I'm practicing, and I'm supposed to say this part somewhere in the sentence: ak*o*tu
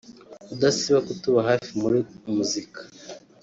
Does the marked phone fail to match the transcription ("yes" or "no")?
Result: yes